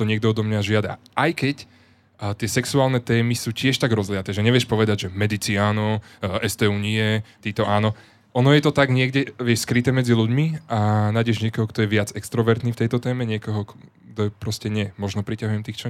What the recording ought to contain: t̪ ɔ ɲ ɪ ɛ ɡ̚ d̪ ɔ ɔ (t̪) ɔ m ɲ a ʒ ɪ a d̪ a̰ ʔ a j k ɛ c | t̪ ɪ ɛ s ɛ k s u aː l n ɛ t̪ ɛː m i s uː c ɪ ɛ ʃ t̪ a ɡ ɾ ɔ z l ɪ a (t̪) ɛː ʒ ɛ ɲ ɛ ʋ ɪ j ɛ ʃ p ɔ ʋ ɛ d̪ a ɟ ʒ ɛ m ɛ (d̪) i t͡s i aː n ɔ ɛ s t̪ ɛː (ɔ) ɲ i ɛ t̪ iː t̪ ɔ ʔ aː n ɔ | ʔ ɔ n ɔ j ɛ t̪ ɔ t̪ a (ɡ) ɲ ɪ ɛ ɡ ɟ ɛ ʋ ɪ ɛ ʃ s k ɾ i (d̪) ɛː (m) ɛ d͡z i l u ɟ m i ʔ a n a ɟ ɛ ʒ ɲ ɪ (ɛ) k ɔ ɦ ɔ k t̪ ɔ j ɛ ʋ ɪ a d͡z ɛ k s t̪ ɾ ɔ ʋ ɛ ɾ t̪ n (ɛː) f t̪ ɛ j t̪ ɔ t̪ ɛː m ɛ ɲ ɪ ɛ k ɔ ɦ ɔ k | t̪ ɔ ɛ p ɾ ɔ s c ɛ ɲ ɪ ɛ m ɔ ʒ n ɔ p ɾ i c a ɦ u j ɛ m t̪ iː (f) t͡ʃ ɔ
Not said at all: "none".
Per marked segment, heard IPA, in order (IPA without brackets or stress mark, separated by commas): d̪, t̪, d̪, u, ɡ, t̪, m, ɛ, iː, x